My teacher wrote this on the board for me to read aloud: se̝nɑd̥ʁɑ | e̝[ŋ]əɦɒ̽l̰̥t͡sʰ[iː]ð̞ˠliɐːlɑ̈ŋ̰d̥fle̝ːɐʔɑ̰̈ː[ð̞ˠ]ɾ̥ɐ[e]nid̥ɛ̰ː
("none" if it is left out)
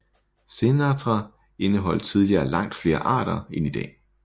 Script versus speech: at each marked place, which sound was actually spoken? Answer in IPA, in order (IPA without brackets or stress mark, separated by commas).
n, i, none, e